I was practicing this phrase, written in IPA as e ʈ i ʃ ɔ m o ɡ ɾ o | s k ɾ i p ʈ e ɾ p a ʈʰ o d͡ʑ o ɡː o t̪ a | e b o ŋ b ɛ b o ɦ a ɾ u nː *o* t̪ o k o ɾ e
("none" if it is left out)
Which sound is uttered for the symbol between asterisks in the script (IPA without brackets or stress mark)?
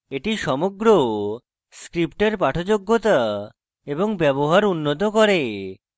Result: o